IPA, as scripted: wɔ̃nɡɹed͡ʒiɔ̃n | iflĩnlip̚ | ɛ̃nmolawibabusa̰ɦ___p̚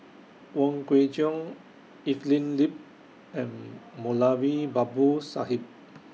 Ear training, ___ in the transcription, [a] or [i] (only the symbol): i